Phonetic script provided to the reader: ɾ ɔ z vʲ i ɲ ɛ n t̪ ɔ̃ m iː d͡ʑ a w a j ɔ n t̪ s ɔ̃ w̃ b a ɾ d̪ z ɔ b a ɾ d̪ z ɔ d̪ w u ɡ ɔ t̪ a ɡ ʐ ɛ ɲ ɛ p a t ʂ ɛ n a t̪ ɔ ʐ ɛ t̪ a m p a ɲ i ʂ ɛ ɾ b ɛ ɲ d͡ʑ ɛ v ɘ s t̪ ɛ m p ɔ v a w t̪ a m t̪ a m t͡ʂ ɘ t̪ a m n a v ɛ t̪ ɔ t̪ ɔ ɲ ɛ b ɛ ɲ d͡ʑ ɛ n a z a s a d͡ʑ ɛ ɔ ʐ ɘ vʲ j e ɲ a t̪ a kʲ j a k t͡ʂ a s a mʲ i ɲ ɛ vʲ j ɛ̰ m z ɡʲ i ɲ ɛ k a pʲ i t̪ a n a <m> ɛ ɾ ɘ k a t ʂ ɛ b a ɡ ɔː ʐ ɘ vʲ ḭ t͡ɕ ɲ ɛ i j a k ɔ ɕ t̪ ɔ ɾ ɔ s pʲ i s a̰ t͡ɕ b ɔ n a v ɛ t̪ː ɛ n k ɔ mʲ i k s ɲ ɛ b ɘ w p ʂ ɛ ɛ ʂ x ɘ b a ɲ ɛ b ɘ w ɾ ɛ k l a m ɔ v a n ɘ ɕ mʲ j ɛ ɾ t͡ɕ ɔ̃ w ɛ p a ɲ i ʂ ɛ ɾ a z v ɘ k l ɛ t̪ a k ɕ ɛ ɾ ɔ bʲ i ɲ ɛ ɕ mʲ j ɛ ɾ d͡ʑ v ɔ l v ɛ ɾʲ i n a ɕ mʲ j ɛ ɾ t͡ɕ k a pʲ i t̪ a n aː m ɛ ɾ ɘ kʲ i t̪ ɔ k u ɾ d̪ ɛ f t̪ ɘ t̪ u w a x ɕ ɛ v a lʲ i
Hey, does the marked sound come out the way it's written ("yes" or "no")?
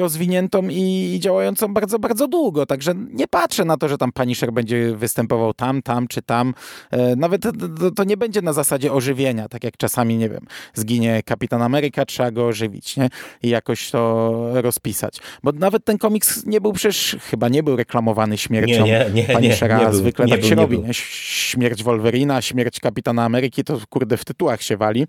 yes